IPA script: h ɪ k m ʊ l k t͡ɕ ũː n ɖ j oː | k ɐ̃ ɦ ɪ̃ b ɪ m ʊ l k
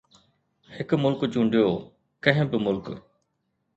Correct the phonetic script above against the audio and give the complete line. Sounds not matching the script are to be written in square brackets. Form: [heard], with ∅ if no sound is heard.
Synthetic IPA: h ɪ k m ʊ l k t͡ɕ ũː [ɳ] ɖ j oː | k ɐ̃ ɦ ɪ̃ b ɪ m ʊ l k